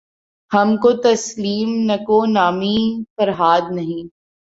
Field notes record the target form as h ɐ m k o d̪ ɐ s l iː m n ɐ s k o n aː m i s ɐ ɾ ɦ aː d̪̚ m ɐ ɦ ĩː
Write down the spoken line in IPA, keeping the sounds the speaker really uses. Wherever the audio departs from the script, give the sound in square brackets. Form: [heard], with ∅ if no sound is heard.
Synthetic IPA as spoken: h ɐ m k o [t̪] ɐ s l iː m n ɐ [∅] k o n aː m i [f] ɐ ɾ ɦ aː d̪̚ [n] ɐ ɦ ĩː